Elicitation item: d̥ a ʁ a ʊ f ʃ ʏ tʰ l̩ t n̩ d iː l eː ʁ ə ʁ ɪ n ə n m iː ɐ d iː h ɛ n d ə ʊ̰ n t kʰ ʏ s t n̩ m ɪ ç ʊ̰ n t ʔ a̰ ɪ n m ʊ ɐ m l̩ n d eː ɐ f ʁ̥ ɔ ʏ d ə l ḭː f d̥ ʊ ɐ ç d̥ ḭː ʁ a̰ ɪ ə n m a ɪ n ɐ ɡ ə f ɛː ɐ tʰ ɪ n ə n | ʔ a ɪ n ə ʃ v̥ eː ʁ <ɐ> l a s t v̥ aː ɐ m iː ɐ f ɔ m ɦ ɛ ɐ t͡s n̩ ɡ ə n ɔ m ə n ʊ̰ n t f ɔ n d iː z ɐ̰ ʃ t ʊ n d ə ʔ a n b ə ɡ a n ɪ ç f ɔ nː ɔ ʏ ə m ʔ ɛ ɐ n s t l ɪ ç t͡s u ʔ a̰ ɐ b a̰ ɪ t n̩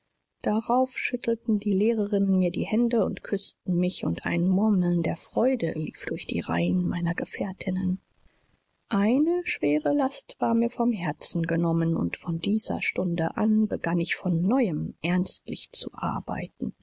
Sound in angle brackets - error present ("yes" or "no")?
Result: yes